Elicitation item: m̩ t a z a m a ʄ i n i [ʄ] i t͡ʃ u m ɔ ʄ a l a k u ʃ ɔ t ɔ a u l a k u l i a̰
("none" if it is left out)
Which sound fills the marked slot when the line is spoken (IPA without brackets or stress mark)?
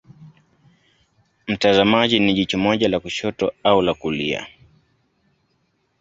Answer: ʄ